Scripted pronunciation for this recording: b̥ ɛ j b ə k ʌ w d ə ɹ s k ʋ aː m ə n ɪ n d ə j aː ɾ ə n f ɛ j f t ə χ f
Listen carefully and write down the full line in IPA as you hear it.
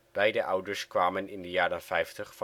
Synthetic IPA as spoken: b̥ ɛ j d ə ʔ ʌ w d ə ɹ s k ʋ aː m ə n ɪ n d ə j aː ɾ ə n f ɛ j f t ə χ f